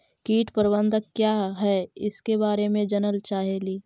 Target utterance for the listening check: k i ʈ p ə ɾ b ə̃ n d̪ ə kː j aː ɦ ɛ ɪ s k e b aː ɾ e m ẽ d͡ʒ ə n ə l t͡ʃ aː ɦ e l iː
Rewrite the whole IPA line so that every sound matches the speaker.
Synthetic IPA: k iː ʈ p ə ɾ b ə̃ n d̪ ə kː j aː ɦ ɛ ɪ s k e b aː ɾ e m ẽ d͡ʒ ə n ə l t͡ʃ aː ɦ e l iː